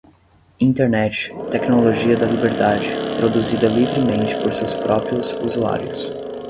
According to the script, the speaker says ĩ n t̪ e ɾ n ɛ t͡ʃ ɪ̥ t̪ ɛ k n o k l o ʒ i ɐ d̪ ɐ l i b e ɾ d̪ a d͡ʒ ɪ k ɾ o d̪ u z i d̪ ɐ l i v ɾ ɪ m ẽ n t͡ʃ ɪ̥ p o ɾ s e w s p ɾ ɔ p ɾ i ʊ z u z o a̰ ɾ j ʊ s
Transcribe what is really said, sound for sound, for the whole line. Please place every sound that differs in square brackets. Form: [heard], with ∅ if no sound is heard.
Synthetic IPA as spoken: ĩ n t̪ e ɾ n ɛ t͡ʃ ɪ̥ t̪ ɛ k n o [∅] l o ʒ i ɐ d̪ ɐ l i b e ɾ d̪ a d͡ʒ ɪ [p] ɾ o d̪ u z i d̪ ɐ l i v ɾ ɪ m ẽ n t͡ʃ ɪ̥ p o ɾ s e w s p ɾ ɔ p ɾ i ʊ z u z [u] a̰ ɾ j ʊ s